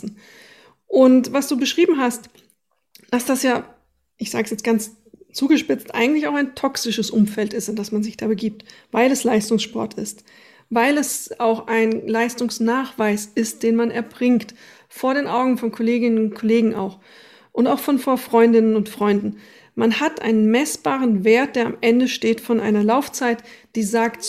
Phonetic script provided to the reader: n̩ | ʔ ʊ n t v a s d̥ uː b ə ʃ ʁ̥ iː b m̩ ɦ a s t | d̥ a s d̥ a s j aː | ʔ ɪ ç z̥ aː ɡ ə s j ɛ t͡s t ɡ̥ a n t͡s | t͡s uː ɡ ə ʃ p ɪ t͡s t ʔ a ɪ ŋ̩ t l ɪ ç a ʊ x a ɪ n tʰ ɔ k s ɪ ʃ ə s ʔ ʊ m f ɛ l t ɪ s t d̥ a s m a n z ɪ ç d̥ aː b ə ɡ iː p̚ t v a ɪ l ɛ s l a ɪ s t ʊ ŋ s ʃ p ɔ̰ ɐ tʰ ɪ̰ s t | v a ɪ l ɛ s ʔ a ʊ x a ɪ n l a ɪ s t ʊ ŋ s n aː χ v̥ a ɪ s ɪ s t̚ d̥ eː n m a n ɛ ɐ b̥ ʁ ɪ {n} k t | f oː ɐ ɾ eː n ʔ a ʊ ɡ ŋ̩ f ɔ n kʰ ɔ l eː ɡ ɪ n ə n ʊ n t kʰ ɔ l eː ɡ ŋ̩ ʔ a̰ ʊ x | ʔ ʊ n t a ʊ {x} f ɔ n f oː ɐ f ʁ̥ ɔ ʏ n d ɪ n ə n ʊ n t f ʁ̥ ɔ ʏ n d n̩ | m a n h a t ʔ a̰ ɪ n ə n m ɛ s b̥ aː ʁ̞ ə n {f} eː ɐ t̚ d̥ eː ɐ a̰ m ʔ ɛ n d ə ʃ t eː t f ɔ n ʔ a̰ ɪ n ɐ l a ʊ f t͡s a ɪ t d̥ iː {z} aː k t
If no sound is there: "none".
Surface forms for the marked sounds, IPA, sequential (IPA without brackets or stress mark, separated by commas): ŋ, x, v, z